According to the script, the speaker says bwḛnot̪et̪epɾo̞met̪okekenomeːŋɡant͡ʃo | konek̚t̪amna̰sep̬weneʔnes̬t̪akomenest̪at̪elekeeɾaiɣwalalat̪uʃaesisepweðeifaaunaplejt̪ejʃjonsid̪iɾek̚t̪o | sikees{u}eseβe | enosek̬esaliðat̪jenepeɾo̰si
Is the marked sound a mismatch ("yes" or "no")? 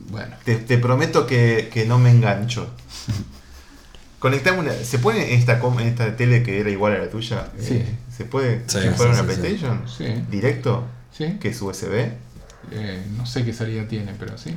no